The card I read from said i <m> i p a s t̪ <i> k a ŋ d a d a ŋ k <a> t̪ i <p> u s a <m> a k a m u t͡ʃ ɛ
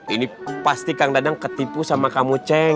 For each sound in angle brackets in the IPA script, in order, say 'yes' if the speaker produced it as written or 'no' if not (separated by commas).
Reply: no, yes, no, yes, yes